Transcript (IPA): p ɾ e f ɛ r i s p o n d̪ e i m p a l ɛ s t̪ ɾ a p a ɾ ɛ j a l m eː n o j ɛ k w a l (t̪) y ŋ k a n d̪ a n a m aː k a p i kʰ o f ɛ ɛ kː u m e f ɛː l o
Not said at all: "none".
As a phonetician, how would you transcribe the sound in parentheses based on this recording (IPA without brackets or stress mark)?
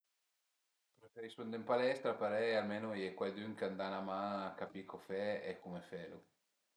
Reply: d̪